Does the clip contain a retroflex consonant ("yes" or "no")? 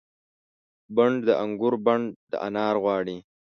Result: yes